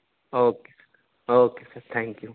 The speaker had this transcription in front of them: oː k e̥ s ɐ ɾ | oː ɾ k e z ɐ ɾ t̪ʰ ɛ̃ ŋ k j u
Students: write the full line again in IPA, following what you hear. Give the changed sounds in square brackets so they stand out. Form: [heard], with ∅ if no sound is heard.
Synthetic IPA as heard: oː k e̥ s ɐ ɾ | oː [∅] k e [s] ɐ ɾ t̪ʰ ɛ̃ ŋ k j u